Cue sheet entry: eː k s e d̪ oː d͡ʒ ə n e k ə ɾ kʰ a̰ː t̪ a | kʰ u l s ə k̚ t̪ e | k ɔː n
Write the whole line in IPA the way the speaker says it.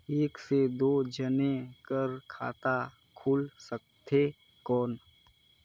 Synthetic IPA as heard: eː k s e d̪ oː d͡ʒ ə n e k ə ɾ kʰ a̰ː t̪ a | kʰ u l s ə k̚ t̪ e | k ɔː n

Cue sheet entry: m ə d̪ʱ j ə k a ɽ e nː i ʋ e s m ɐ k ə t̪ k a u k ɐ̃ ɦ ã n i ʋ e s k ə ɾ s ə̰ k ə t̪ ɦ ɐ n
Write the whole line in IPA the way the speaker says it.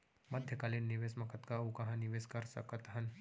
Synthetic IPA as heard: m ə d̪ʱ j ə k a l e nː i ʋ e s m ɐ k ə t̪ k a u k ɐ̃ ɦ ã n i ʋ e s k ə ɾ s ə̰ k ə t̪ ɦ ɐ n

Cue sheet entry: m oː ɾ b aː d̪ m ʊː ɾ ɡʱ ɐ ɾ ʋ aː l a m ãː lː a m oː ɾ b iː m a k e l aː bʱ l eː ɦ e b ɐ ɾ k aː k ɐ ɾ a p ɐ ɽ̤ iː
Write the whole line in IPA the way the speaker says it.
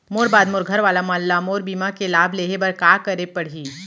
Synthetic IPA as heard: m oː ɾ b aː d̪ m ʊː ɾ ɡʱ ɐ ɾ ʋ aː l a m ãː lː a m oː ɾ b iː m a k e l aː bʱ l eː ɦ e b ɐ ɾ k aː k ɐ ɾ e p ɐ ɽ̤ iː

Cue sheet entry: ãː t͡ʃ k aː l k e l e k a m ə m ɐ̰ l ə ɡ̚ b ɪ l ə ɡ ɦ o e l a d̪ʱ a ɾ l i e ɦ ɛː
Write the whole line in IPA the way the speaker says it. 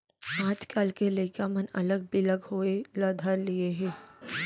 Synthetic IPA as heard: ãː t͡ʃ k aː l k e l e k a m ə n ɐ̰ l ə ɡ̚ b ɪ l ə ɡ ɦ o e l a d̪ʱ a ɾ l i e ɦ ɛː

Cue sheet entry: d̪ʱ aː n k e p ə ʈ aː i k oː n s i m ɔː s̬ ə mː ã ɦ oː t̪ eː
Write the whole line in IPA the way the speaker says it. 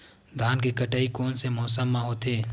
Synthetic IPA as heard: d̪ʱ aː n k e k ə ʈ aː i k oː n s e m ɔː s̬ ə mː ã ɦ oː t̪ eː

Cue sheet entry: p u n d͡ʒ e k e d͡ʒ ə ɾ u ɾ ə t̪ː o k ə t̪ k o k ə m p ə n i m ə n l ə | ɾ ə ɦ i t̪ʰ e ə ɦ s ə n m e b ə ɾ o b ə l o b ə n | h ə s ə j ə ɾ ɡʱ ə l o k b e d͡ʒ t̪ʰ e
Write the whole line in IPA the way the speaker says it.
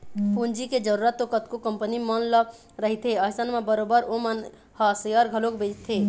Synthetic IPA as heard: p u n d͡ʒ i k e d͡ʒ ə ɾ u ɾ ə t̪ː o k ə t̪ k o k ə m p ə n i m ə n l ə | ɾ ə ɦ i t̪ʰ e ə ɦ s ə n m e b ə ɾ o b ə ɾ o m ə n | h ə s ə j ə ɾ ɡʱ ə l o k b e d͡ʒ t̪ʰ e

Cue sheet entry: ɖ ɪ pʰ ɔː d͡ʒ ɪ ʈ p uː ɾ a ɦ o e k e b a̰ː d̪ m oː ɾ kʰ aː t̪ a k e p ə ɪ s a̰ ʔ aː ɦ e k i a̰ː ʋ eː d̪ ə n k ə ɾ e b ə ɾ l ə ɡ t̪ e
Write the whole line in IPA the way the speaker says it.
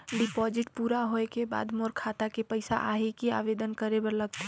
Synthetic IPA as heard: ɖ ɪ p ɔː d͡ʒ ɪ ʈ p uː ɾ a ɦ o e k e b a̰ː d̪ m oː ɾ kʰ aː t̪ a k e p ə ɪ s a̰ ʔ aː ɦ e k i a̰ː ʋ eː d̪ ə n k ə ɾ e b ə ɾ l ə ɡ t̪ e

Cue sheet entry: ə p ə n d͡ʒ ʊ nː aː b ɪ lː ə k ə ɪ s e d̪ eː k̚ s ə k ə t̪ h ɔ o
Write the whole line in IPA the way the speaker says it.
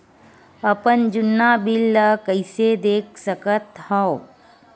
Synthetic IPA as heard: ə p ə n d͡ʒ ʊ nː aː b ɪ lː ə k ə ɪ s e d̪ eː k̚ s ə k ə t̪ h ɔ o

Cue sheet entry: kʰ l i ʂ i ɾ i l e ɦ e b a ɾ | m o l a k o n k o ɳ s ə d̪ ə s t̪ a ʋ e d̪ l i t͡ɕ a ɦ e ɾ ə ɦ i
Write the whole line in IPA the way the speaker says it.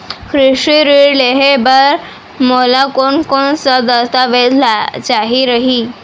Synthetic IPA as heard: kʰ ɾ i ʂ i ɾ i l e ɦ e b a ɾ | m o l a k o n k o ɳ s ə d̪ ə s t̪ a ʋ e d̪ l a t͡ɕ a ɦ i ɾ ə ɦ i

